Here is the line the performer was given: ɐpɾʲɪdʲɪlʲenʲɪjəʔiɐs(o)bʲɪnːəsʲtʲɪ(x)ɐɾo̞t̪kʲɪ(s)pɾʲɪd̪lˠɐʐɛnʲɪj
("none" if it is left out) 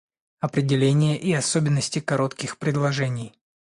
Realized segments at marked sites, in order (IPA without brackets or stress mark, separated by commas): o, k, x